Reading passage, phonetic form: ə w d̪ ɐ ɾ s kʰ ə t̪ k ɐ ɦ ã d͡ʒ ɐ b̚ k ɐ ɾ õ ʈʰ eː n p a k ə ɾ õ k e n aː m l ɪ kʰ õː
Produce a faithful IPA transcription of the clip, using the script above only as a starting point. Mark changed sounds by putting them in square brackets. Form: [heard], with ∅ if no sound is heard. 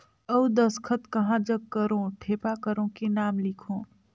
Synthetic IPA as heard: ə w d̪ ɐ [∅] s kʰ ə t̪ k ɐ ɦ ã d͡ʒ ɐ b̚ k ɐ ɾ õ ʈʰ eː [∅] p a k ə ɾ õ k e n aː m l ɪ kʰ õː